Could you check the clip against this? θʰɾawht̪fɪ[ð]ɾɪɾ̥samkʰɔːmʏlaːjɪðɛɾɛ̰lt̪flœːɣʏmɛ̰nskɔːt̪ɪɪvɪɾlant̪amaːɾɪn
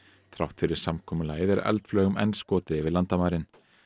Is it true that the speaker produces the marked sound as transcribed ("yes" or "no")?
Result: no